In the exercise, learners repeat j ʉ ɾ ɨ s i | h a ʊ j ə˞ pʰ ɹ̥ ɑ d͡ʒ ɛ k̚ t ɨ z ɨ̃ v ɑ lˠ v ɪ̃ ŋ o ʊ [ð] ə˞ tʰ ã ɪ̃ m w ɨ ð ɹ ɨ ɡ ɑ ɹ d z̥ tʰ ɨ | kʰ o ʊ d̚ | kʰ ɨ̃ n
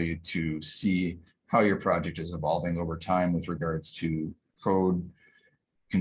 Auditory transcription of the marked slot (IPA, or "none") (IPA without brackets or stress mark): v